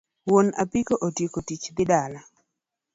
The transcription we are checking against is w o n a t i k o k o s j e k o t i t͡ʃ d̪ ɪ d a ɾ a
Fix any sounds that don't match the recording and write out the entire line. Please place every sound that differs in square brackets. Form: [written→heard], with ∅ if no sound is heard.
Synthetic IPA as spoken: w o n a [t→p] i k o [k→ʔ] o [s→t] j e k o t i t͡ʃ d̪ ɪ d a [ɾ→l] a